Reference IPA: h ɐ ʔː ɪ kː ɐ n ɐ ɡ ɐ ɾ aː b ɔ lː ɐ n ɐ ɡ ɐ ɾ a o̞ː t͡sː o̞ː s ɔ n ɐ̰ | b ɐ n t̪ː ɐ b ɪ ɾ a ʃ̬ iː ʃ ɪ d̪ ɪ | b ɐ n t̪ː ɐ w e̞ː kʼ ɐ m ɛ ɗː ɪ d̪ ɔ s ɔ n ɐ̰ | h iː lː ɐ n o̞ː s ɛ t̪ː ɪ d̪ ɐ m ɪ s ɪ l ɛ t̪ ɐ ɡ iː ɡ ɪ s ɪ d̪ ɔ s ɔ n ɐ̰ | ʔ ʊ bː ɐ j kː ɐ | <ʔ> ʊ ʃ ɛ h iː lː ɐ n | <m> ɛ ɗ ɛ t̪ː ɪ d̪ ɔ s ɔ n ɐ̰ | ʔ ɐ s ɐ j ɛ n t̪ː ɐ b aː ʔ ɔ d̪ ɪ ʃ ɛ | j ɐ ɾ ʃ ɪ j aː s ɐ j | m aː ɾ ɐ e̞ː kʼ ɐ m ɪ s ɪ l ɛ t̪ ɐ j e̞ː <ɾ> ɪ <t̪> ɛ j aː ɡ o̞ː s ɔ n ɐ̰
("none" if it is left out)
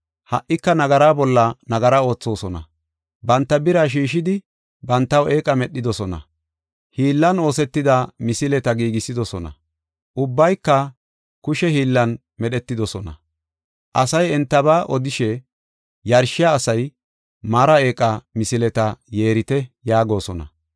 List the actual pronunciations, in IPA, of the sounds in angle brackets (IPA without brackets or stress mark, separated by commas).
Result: k, m, ɾ, t̪